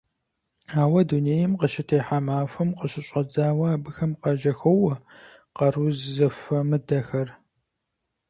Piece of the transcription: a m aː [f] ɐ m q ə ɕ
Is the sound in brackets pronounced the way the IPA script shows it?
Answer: yes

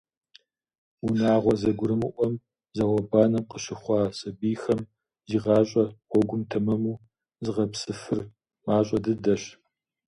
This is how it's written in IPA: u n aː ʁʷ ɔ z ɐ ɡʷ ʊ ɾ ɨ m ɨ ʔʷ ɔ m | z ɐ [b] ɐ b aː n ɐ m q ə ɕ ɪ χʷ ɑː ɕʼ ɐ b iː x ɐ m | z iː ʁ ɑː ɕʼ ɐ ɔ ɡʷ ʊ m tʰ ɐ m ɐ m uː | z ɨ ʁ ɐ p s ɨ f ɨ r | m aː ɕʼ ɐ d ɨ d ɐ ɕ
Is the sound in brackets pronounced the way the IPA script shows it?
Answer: no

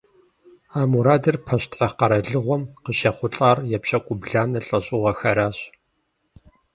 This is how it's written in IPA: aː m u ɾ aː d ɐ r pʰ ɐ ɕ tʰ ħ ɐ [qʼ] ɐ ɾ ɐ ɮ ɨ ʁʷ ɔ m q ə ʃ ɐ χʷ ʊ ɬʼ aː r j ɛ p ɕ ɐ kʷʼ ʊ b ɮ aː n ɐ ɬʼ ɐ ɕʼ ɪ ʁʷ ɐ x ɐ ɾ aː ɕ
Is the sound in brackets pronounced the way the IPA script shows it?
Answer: no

